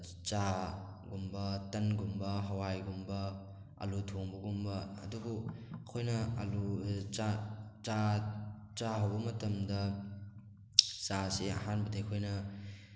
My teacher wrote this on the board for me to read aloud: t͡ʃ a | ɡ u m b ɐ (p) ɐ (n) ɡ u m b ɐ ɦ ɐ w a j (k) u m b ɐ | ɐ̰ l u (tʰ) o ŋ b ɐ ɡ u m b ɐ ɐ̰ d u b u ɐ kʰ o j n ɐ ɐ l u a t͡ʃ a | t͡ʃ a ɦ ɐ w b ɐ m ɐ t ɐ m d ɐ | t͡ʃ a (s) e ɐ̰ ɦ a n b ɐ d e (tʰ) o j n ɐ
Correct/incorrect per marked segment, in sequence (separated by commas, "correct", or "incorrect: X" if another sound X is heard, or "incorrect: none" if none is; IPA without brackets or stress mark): incorrect: t, correct, incorrect: ɡ, correct, correct, incorrect: kʰ